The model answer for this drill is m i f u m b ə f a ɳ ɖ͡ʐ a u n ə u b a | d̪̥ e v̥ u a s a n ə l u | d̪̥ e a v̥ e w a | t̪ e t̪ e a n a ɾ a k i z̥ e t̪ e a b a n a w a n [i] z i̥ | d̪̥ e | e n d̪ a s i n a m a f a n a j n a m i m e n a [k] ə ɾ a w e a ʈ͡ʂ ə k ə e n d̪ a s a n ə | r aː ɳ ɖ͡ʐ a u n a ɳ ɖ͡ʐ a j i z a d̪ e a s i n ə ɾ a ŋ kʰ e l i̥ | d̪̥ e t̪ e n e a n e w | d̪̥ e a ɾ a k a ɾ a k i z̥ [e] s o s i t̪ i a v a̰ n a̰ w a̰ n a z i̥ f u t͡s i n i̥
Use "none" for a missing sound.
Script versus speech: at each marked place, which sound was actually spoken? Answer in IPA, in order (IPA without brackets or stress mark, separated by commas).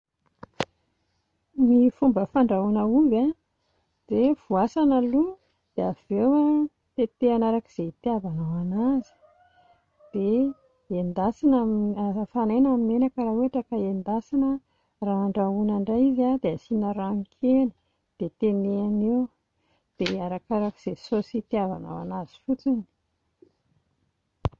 a, k, e